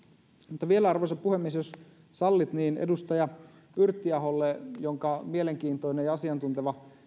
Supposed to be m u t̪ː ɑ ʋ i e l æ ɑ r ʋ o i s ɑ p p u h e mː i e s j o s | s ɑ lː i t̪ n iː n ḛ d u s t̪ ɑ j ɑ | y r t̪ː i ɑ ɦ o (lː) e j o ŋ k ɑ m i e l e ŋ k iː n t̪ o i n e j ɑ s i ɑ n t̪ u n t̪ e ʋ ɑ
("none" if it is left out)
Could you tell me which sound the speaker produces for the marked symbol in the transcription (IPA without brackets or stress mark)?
lː